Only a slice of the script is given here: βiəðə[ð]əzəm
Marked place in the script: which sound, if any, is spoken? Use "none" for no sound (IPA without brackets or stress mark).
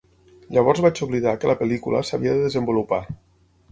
ð